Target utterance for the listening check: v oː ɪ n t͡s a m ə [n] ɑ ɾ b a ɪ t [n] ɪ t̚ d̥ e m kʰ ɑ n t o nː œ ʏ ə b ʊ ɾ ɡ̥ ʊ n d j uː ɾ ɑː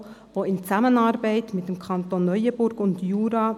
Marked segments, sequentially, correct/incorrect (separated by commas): correct, incorrect